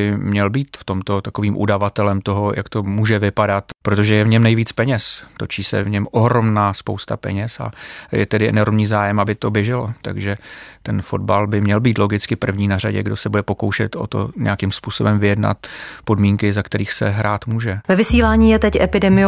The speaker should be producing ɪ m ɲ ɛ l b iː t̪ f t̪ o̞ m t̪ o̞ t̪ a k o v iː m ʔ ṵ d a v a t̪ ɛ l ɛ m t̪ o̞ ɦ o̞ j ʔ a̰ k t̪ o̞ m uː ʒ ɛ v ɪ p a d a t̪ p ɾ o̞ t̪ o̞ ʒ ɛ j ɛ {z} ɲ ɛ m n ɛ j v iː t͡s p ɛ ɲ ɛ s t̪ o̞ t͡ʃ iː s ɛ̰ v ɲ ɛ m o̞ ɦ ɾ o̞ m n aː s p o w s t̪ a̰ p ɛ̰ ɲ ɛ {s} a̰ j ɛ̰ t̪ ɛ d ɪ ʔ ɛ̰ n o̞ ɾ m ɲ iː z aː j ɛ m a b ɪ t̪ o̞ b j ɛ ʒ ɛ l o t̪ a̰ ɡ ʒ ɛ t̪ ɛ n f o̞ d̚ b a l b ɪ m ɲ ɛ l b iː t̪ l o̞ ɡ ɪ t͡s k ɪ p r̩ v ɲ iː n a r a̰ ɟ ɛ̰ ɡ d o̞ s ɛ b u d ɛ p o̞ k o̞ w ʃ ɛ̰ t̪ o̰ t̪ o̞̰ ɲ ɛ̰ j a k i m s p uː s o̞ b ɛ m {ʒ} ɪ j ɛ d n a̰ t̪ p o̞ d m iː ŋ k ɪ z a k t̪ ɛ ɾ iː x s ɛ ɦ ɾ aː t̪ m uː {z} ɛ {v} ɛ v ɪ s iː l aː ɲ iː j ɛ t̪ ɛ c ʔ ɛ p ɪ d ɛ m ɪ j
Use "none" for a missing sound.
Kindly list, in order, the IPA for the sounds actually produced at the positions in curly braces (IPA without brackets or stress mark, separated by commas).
v, s, v, ʒ, v